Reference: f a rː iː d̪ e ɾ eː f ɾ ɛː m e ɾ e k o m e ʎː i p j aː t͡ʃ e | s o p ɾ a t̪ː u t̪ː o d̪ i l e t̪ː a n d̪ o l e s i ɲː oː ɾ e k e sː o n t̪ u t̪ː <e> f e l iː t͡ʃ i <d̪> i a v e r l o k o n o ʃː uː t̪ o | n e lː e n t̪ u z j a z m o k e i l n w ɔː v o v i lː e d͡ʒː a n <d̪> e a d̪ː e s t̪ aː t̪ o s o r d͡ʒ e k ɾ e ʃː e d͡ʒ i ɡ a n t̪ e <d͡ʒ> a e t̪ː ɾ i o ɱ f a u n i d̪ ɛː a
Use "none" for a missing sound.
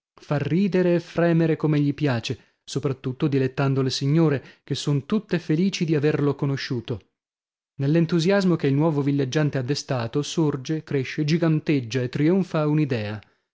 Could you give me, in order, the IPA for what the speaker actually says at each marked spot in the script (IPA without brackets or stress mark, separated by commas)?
e, d̪, t̪, d͡ʒː